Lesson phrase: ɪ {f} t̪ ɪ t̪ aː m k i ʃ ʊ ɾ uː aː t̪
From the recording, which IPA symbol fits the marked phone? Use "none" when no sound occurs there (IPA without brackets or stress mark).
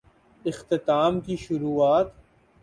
x